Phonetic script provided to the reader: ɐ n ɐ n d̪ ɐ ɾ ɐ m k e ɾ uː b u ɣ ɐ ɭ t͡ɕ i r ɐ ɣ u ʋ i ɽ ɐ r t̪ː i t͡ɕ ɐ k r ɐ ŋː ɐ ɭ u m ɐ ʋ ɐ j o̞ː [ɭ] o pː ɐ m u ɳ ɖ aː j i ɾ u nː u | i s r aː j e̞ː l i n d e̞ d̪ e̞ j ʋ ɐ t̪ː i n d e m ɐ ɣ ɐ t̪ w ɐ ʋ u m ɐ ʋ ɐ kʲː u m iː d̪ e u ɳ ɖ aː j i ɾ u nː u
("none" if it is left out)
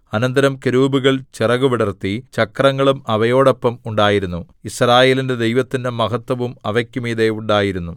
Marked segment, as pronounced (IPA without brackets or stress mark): ɽ